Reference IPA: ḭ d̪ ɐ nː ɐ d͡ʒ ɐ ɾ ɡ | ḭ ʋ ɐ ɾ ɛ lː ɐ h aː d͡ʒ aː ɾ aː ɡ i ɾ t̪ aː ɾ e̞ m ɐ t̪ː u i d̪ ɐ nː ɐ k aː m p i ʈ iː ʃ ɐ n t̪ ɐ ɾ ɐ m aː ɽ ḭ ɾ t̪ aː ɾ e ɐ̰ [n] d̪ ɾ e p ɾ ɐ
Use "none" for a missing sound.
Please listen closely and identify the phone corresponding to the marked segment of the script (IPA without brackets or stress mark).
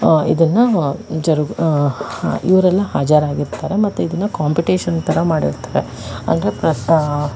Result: n